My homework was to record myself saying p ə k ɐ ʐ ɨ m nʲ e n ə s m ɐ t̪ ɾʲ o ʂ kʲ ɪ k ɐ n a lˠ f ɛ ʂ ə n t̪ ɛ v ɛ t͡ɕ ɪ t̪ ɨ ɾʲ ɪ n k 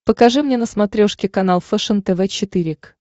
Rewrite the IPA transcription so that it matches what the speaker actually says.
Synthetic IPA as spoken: p ə k ɐ ʐ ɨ m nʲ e n ə s m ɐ t̪ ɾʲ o ʂ kʲ ɪ k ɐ n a lˠ f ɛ ʂ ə n t̪ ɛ v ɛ t͡ɕ ɪ t̪ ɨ ɾʲ ɪ k